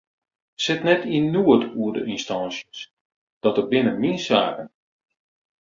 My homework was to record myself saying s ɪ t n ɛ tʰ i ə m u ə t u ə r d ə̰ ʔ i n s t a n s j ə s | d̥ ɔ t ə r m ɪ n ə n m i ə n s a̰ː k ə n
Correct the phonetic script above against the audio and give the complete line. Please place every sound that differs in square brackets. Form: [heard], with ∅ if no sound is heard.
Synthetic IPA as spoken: s ɪ t n ɛ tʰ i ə [n] u ə t u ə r d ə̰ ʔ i n s t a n s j ə s | d̥ ɔ t ə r [b] ɪ n ə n m i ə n s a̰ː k ə n